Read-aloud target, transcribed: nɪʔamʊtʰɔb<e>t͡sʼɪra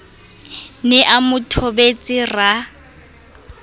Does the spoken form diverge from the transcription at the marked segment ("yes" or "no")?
no